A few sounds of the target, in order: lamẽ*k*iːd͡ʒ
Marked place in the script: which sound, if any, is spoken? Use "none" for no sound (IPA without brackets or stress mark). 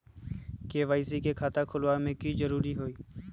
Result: k